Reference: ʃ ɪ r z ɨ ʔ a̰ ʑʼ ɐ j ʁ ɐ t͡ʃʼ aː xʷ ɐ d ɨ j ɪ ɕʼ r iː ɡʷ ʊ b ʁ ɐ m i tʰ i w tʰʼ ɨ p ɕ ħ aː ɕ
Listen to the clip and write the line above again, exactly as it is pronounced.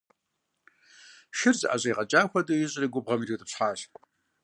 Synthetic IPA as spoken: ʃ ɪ r z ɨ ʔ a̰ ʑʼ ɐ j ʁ ɐ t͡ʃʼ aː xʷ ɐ d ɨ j ɪ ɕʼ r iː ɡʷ ʊ b ʁ ɐ m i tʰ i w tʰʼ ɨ p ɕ ħ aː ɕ